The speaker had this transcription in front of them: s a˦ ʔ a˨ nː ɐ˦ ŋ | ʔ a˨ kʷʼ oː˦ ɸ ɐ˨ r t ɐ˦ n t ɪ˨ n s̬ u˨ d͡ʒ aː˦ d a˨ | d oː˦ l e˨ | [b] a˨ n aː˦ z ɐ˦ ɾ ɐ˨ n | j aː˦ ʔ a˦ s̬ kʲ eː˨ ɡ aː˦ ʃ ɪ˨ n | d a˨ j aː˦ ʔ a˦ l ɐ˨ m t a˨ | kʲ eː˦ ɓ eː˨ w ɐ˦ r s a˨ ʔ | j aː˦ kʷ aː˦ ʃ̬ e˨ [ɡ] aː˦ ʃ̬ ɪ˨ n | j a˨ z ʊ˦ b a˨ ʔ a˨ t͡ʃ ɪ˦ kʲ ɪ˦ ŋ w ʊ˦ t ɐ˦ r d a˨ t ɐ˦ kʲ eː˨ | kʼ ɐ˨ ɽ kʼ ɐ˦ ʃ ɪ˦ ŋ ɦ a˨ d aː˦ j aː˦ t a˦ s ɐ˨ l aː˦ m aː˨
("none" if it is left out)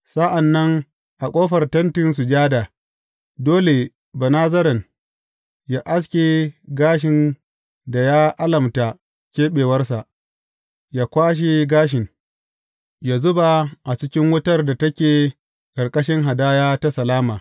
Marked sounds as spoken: b, ɡ

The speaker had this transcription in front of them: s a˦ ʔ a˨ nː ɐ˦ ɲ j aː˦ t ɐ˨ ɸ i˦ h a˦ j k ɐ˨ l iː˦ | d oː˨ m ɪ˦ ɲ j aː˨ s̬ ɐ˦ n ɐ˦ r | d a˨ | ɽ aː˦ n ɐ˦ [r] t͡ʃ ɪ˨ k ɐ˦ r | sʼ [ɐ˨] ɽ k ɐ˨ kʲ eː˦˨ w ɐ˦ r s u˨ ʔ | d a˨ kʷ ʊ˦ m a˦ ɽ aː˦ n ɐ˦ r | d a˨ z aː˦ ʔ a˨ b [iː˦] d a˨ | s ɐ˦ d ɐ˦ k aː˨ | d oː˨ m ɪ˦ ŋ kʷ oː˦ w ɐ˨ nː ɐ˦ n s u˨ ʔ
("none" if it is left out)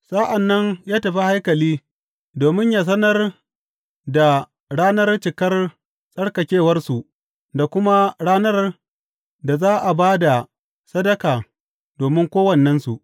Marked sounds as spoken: r, ɐ˦, aː˦

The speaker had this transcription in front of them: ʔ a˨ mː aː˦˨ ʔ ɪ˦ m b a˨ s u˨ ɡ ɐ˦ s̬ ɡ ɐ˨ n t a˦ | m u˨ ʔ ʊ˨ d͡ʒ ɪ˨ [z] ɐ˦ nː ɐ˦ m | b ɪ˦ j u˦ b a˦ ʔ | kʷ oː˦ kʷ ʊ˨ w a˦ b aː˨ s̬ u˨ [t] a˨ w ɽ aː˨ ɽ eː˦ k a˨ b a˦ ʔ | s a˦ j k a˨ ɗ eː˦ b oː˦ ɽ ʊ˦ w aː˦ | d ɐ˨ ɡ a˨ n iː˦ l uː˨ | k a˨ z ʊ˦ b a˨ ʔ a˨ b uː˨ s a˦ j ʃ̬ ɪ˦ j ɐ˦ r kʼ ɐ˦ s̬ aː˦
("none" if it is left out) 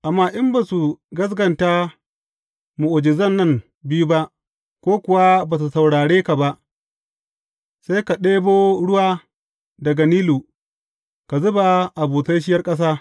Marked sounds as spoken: z, s

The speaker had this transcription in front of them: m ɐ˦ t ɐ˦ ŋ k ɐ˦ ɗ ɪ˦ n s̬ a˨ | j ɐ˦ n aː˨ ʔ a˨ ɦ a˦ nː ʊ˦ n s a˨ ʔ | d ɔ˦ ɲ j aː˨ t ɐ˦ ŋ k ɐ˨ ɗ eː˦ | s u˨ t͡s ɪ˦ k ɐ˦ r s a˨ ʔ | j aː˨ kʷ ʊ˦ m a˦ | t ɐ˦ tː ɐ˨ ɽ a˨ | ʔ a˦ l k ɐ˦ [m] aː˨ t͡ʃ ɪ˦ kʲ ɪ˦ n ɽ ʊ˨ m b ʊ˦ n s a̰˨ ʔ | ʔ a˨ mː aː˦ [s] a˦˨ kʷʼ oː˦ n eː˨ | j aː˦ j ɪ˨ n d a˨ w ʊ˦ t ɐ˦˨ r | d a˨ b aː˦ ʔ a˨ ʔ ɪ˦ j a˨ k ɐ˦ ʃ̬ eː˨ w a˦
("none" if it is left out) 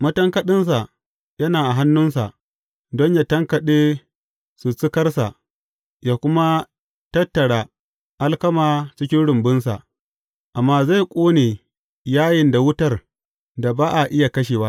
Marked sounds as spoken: m, z

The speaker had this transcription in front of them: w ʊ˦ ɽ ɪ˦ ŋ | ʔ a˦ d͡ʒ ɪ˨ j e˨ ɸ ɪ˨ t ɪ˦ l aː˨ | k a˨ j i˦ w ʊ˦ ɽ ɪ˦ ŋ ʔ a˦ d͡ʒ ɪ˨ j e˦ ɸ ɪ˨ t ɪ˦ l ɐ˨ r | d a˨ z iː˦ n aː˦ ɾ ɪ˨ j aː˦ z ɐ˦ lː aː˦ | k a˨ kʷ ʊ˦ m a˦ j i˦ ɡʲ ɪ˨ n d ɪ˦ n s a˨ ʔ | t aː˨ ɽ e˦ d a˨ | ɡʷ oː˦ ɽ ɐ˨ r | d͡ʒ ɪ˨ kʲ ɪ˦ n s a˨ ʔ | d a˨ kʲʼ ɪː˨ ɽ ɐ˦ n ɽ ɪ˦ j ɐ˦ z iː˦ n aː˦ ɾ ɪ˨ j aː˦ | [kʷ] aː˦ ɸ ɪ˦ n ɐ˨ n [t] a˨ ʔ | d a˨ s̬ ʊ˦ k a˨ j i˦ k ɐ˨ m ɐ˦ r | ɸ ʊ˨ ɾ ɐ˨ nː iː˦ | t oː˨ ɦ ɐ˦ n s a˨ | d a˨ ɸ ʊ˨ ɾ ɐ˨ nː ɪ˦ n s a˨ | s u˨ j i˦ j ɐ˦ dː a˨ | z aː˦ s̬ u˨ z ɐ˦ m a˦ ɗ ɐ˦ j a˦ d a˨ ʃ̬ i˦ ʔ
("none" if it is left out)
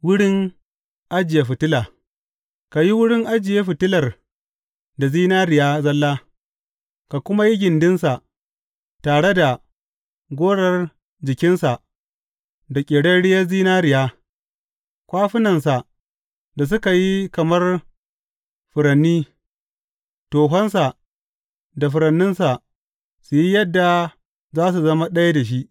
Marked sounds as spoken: kʷ, s

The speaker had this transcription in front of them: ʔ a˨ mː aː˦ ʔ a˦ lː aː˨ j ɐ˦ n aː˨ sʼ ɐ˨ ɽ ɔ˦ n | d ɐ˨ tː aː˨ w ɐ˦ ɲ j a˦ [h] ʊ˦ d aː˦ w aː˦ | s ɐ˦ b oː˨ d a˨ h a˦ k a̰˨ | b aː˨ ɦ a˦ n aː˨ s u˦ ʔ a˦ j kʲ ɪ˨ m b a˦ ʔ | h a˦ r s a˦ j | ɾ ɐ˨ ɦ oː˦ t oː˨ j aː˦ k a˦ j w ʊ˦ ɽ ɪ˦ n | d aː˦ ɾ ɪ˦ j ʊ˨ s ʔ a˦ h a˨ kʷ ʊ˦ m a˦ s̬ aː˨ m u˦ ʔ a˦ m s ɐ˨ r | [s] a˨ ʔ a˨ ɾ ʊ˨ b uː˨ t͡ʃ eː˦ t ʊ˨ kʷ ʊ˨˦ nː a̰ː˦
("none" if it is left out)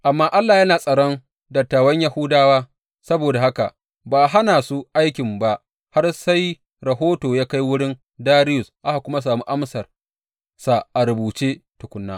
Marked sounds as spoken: h, s

